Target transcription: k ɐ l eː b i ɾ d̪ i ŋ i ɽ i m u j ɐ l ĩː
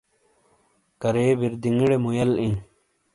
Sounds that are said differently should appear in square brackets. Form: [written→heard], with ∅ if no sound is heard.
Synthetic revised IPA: k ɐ [l→ɾ] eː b i ɾ d̪ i ŋ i ɽ [i→e] m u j ɐ l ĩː